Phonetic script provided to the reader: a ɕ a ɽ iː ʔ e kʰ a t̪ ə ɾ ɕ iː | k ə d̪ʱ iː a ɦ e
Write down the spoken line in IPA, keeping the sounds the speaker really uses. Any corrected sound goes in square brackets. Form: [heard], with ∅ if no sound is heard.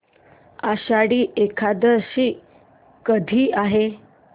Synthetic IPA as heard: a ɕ a ɽ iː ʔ e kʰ a [d̪] ə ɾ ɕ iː | k ə d̪ʱ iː a ɦ e